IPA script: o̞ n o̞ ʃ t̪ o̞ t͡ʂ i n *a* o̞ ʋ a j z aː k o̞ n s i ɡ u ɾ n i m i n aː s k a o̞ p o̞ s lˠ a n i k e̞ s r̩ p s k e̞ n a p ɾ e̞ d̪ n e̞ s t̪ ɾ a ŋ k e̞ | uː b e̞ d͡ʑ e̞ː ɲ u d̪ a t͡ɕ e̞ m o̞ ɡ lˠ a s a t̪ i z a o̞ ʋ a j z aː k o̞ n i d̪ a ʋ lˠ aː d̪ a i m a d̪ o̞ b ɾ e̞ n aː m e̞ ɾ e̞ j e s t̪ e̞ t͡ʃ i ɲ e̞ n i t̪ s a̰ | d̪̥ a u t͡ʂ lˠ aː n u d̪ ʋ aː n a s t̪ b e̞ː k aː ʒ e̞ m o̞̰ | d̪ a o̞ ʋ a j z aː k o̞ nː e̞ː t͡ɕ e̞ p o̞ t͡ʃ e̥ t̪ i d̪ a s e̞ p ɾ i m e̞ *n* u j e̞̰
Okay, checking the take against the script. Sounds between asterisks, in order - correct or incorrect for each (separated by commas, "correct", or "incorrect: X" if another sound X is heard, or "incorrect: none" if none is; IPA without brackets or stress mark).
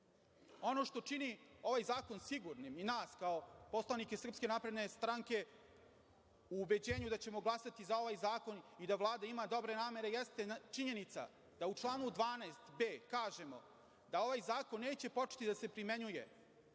incorrect: i, incorrect: ɲ